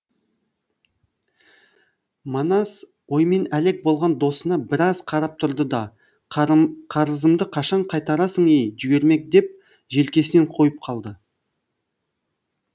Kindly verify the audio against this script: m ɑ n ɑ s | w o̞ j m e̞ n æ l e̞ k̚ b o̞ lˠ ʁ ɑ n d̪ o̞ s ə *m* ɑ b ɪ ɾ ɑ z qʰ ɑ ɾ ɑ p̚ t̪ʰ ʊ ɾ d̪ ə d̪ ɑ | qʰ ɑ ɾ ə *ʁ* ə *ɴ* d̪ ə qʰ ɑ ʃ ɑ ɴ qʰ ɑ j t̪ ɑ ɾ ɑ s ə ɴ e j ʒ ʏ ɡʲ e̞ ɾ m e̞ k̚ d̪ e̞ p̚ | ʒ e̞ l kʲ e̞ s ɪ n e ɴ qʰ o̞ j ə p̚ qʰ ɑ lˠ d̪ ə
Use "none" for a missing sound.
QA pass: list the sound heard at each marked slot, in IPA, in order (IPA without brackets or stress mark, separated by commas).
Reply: n, z, m